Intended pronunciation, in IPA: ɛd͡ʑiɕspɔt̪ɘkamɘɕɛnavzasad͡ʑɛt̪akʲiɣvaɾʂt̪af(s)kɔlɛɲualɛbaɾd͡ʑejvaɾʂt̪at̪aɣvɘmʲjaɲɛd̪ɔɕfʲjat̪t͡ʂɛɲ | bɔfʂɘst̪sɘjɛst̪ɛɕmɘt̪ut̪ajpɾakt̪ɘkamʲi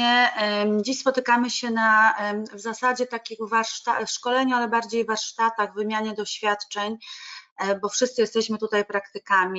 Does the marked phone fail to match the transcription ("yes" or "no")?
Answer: yes